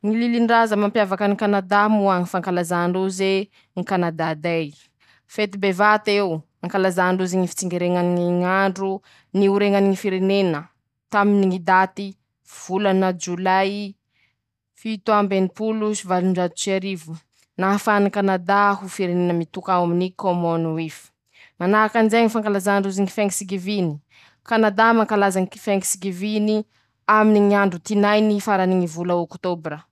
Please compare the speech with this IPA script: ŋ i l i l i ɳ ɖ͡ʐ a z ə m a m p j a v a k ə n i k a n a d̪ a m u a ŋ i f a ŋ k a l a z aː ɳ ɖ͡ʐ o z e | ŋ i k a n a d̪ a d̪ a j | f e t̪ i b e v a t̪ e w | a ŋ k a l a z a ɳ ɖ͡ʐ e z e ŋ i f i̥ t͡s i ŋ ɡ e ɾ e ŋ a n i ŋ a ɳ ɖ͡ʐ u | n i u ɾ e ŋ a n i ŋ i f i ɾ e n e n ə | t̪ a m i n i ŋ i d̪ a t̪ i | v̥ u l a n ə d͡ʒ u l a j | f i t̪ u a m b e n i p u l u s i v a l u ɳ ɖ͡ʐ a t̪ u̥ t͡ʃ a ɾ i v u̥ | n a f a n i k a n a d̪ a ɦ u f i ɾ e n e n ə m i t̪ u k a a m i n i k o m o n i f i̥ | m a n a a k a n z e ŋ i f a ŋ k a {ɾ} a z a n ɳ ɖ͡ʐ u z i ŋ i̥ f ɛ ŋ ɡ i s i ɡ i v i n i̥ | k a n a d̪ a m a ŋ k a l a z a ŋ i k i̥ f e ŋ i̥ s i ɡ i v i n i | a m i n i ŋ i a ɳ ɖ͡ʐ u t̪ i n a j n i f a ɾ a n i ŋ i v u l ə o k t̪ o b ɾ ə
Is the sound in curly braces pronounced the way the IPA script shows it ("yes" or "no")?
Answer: no